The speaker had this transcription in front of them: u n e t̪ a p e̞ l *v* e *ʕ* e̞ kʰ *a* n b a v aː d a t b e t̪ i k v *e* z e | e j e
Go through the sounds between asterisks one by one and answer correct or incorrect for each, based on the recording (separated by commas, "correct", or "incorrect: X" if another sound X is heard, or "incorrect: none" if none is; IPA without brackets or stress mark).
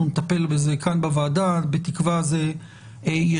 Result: incorrect: b, incorrect: z, correct, incorrect: a